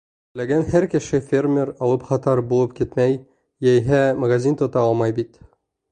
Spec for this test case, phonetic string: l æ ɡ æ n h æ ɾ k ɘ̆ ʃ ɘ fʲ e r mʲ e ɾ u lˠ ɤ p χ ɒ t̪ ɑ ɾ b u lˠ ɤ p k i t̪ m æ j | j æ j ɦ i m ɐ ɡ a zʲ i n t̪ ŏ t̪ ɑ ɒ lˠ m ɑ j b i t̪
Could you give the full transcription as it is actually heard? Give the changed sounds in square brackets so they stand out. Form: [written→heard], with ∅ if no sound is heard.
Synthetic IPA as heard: l æ ɡ æ n h æ ɾ k ɘ̆ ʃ ɘ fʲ e r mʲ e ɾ [u→ɒ] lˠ ɤ p χ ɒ t̪ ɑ ɾ b u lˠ ɤ p k i t̪ m æ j | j æ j ɦ [i→æ] m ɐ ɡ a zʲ i n t̪ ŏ t̪ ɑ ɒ lˠ m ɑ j b i t̪